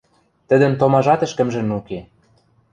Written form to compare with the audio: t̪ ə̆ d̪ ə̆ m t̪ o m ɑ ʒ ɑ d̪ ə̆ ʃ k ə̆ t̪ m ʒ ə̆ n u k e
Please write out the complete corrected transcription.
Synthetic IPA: t̪ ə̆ d̪ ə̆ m t̪ o m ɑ ʒ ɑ t̪ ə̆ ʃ k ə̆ m ʒ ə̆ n u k e